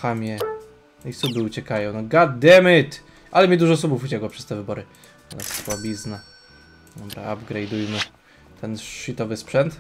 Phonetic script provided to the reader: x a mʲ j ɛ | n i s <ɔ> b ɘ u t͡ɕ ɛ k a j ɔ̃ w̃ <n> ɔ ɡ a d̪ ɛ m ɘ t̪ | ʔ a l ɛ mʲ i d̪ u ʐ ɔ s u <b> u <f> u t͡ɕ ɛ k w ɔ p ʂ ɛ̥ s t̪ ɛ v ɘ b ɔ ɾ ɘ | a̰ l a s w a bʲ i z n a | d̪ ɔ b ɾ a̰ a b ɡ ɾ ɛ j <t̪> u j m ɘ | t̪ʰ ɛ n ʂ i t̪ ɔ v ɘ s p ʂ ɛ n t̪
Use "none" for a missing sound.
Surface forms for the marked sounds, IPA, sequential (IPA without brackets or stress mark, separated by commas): u, n, b, f, d̪